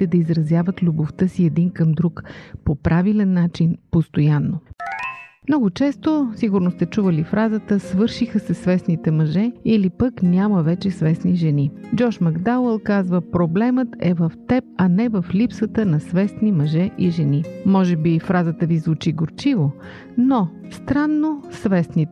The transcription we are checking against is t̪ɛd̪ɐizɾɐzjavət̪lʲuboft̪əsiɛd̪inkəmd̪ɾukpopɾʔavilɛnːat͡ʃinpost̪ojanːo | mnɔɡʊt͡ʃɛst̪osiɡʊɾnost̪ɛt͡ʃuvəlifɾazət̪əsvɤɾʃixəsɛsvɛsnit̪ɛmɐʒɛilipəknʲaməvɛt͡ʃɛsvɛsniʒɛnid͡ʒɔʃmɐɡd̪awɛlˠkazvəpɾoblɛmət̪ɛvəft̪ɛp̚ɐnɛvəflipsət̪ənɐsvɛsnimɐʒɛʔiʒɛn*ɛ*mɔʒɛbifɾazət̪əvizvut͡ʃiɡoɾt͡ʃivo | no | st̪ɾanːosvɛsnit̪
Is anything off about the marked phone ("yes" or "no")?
yes